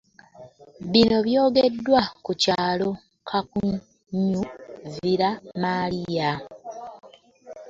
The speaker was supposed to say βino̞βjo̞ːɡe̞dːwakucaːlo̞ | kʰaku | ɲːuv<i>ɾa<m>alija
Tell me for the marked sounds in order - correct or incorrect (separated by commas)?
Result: correct, correct